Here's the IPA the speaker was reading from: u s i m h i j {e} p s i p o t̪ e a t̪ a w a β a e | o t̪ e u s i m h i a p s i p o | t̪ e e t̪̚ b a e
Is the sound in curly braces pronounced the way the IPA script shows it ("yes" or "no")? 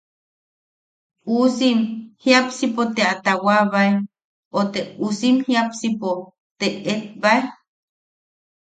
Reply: no